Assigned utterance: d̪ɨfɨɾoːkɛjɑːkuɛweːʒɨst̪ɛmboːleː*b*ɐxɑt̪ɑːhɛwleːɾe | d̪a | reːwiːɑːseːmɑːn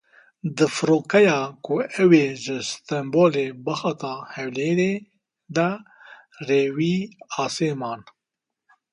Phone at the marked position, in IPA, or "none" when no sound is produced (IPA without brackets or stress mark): b